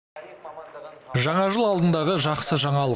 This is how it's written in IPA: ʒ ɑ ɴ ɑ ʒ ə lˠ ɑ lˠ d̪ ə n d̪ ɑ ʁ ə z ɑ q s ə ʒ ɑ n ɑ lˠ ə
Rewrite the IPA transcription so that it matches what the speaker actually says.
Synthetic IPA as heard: ʒ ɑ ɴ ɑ ʒ ə lˠ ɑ lˠ d̪ ə n d̪ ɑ ʁ ə ʒ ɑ q s ə ʒ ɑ ɴ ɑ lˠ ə

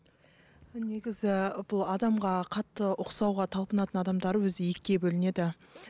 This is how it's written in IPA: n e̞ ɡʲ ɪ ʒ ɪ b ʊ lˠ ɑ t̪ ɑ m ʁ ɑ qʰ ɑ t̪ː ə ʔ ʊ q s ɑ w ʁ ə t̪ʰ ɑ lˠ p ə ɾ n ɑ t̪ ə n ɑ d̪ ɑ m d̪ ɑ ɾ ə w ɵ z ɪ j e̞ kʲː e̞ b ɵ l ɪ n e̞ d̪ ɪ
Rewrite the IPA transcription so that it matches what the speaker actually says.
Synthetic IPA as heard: n e̞ ɡʲ ɪ z ɪ b ʊ lˠ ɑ d̪ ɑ m ʁ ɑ qʰ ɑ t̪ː ə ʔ ʊ q s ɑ w ʁ ɑ t̪ʰ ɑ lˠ p ə n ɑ t̪ ə n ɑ d̪ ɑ m d̪ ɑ ɾ ə w ɵ z ɪ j e̞ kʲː e̞ b ɵ l ɪ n e̞ d̪ ɪ

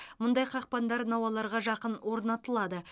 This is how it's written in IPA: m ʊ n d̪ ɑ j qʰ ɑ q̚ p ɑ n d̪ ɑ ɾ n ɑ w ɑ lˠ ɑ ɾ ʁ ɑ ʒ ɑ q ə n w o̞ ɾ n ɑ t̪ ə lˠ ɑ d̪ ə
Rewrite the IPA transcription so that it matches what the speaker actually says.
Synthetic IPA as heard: m ʊ n d̪ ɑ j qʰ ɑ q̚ p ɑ n d̪ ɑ ɾ n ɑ w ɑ lˠ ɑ ɾ ʁ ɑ ʒ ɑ q ə n w o̞ ɾ n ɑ t̪ ə lˠ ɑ d̪ ə

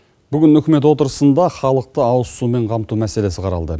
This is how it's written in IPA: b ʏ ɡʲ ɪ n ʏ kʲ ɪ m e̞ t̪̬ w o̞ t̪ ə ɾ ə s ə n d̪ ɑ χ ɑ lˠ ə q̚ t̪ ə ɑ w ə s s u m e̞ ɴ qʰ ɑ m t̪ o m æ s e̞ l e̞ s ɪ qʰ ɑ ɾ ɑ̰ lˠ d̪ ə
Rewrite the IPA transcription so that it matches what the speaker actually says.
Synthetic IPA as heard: b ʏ ɡʲ ɪ n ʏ kʲ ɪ m e̞ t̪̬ w o̞ t̪ ə ɾ ə s ə n d̪ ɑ χ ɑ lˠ ə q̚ t̪ ə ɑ w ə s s u m e̞ ɴ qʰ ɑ m t̪ u m æ s e̞ l e̞ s ɪ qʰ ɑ ɾ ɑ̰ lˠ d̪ ə

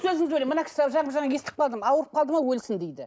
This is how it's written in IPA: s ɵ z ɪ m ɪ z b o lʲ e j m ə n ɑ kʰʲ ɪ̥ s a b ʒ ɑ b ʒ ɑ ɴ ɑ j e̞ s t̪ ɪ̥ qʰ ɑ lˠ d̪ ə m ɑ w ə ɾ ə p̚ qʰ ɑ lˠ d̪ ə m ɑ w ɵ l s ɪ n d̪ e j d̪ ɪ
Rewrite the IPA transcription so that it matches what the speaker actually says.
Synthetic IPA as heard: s ɵ z ɪ ŋ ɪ z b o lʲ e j m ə n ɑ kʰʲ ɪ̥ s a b ʒ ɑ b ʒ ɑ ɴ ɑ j e̞ s t̪ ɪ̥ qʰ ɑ lˠ d̪ ə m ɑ w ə ɾ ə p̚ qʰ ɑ lˠ d̪ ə m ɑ w ɵ l s ɪ n d̪ e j d̪ ɪ

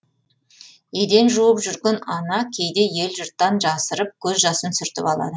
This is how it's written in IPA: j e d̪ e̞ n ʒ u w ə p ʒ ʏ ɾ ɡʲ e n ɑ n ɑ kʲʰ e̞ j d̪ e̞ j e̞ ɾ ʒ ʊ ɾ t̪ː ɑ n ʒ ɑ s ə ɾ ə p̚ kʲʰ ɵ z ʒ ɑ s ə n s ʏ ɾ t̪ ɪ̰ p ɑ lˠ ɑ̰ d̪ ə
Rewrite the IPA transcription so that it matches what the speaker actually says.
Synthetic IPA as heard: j e d̪ e̞ n ʒ u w ə p ʒ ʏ ɾ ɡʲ e n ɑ n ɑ kʲʰ e̞ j d̪ e̞ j e̞ l ʒ ʊ ɾ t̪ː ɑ n ʒ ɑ s ə ɾ ə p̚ kʲʰ ɵ z ʒ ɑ s ə n s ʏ ɾ t̪ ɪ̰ p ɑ lˠ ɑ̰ d̪ ə

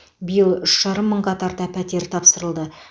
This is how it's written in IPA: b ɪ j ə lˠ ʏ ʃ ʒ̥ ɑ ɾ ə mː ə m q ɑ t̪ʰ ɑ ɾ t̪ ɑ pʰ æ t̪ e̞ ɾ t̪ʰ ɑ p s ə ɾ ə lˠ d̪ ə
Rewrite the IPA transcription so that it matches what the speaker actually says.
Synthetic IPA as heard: b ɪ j ə lˠ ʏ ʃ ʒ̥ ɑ ɾ ə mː ə ɴ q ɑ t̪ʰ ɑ ɾ t̪ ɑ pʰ æ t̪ e̞ ɾ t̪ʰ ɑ p s ə ɾ ə lˠ d̪ ə

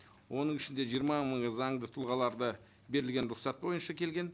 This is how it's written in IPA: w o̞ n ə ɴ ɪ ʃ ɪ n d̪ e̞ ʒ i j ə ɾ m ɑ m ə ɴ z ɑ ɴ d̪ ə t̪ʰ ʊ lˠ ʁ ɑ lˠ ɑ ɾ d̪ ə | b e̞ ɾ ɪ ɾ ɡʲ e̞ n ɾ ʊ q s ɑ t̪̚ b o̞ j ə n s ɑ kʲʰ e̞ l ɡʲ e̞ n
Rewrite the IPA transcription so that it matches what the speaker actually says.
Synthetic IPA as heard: w o̞ n ə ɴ ɪ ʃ ɪ n d̪ e̞ ʒ i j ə ɾ m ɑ m ə ɴ z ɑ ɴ d̪ ə t̪ʰ ʊ lˠ ʁ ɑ lˠ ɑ ɾ d̪ ə | b e̞ ɾ ɪ l ɡʲ e̞ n ɾ ʊ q s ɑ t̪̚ b o̞ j ə n ʃ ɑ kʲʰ e̞ l ɡʲ e̞ n

